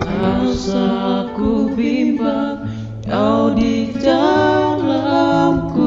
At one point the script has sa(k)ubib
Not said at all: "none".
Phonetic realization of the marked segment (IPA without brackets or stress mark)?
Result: k